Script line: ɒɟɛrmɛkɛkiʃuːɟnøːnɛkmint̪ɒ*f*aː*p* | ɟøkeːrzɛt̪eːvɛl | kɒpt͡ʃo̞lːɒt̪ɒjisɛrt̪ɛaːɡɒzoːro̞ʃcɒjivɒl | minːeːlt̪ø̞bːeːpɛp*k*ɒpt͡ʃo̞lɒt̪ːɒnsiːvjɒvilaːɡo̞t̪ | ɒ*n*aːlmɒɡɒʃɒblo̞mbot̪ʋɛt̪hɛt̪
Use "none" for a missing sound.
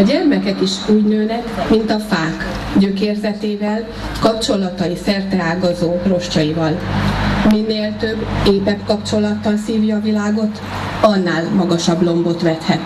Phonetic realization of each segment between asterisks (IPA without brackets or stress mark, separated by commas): f, k, k, nː